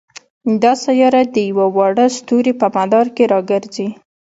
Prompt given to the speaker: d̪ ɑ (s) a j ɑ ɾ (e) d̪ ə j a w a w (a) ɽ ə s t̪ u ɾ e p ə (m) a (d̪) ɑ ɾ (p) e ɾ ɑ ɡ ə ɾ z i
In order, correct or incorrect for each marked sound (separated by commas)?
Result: correct, incorrect, incorrect, correct, correct, incorrect